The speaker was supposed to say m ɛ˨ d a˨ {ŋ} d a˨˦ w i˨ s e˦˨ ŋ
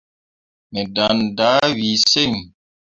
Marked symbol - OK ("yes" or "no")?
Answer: no